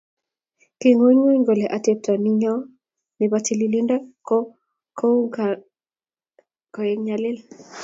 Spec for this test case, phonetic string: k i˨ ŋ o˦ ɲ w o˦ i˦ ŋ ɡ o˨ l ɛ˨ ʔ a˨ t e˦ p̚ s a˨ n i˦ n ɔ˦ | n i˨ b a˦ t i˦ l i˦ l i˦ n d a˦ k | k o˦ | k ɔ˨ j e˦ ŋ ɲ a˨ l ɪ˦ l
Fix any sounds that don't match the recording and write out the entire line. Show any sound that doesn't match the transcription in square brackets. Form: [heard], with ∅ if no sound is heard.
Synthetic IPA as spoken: k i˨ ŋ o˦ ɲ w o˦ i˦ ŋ ɡ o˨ l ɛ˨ ʔ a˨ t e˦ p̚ [t] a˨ n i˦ [ɲ] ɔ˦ | n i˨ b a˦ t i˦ l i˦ l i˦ n d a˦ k | k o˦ | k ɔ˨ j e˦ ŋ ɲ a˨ l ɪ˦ l